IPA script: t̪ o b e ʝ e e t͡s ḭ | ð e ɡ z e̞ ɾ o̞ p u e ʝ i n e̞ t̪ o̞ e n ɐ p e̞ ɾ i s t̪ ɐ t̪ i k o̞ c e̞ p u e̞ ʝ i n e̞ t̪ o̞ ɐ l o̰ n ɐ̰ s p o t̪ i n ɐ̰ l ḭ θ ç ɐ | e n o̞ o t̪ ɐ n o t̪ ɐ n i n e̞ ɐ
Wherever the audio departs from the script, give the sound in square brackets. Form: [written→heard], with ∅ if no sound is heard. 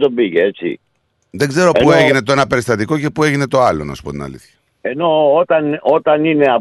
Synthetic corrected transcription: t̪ o b [e→i] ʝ e e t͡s ḭ | ð e ɡ z e̞ ɾ o̞ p u e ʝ i n e̞ t̪ o̞ e n ɐ p e̞ ɾ i s t̪ ɐ t̪ i k o̞ c e̞ p u e̞ ʝ i n e̞ t̪ o̞ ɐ l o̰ n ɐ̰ s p o t̪ i n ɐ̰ l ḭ θ ç ɐ | e n o̞ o t̪ ɐ n o t̪ ɐ n i n e̞ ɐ